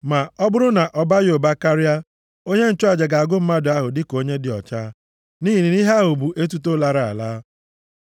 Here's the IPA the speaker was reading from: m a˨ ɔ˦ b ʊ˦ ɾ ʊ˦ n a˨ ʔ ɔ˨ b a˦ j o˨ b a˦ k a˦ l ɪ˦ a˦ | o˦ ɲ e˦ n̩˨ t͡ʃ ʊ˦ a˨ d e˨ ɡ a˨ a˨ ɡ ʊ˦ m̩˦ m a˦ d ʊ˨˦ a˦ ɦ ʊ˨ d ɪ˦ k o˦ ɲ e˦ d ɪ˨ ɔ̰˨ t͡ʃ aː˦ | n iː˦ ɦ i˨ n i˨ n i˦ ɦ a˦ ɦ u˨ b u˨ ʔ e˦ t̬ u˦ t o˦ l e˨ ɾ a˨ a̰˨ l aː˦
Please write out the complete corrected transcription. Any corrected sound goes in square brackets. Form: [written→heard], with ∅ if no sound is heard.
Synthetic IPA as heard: m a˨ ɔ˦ b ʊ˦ ɾ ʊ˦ n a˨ ʔ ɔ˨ b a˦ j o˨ b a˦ k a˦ [l→ɾ] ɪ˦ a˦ | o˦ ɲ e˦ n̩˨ t͡ʃ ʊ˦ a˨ [d→d͡ʒ] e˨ ɡ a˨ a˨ ɡ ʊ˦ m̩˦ m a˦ d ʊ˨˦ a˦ ɦ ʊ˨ d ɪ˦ k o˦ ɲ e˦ d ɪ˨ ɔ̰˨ t͡ʃ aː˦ | n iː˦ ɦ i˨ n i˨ n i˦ ɦ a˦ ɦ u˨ b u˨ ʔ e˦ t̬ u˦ t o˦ l [e˨→a˨] ɾ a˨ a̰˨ l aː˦